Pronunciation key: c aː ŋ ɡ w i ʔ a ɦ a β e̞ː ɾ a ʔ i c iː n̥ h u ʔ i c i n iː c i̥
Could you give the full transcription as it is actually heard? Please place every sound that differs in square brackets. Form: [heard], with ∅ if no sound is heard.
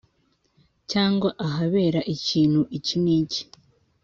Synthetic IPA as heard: c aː ŋ ɡ w [a] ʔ a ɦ a β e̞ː ɾ a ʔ i c iː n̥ h u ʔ i c i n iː c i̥